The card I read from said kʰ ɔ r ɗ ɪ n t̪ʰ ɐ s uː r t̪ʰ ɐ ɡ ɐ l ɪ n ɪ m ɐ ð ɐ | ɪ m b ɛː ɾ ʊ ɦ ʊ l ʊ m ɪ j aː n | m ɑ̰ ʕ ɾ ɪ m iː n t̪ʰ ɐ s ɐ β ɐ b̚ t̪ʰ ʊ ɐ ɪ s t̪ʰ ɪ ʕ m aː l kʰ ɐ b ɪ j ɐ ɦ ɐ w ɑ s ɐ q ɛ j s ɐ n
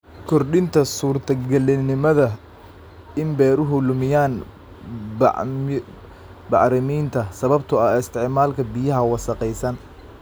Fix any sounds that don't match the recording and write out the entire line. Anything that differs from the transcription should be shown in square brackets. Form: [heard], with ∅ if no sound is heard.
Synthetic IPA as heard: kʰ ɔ r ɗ ɪ n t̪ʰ ɐ s uː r t̪ʰ ɐ ɡ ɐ l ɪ n ɪ m ɐ ð ɐ | ɪ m b ɛː ɾ ʊ ɦ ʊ l ʊ m ɪ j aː n | [b] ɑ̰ ʕ ɾ ɪ m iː n t̪ʰ ɐ s ɐ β ɐ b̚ t̪ʰ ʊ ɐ ɪ s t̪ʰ ɪ ʕ m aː l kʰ ɐ b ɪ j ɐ ɦ ɐ w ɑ s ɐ q ɛ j s ɐ n